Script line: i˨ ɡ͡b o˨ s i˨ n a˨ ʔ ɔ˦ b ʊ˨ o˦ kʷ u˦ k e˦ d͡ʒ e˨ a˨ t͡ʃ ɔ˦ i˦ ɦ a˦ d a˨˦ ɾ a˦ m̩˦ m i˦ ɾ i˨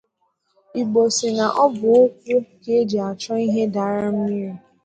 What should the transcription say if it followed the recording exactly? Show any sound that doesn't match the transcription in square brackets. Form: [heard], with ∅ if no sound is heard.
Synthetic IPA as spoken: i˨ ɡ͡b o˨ s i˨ n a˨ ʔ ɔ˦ b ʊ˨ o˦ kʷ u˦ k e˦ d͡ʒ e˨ a˨ t͡ʃ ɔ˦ i˦ ɦ [e˦] d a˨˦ ɾ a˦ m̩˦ m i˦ ɾ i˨